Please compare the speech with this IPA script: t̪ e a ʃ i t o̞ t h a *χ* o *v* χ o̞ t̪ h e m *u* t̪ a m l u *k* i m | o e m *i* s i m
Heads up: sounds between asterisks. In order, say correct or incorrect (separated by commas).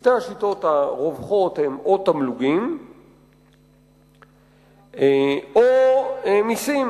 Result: incorrect, correct, incorrect, incorrect, correct